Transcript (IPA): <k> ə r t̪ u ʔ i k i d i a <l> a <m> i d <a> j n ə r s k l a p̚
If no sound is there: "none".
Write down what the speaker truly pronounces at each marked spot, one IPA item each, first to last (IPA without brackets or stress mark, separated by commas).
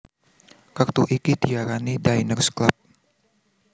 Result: k, ɾ, n, a